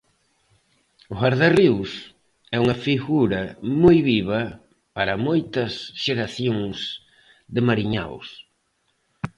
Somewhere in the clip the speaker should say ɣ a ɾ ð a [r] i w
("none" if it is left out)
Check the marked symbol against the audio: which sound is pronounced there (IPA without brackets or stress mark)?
r